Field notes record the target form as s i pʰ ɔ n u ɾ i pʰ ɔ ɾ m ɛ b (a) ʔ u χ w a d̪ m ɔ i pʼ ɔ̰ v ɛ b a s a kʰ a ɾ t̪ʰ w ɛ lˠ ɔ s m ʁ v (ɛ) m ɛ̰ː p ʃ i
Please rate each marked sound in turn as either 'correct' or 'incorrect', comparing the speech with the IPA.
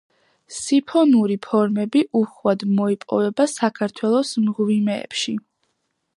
incorrect: i, incorrect: i

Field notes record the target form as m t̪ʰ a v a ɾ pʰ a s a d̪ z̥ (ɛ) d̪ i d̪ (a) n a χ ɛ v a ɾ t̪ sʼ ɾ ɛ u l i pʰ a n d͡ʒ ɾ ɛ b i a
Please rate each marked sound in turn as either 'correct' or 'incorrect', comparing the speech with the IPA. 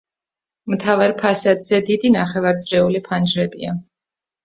correct, incorrect: i

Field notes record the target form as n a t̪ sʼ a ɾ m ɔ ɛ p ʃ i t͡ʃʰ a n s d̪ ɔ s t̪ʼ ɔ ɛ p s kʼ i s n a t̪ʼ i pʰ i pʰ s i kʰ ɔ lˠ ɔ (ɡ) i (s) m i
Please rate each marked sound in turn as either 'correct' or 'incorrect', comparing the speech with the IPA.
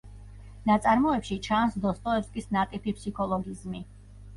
correct, incorrect: z

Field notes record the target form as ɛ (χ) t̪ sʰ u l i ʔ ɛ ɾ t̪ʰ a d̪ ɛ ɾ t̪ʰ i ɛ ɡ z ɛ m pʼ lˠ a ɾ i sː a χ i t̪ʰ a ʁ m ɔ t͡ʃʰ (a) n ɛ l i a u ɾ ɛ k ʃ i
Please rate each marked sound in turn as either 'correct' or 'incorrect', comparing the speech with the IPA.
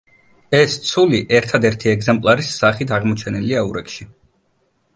incorrect: s, incorrect: ɛ

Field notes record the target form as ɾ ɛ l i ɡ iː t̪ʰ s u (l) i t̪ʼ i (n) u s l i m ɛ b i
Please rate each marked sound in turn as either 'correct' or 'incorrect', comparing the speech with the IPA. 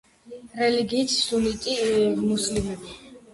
correct, incorrect: m

